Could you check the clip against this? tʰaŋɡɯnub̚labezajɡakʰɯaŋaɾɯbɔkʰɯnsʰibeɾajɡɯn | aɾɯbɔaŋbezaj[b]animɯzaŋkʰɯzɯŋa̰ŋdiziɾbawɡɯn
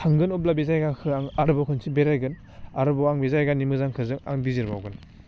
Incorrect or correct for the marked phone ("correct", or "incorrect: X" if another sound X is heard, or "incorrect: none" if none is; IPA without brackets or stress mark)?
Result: incorrect: ɡ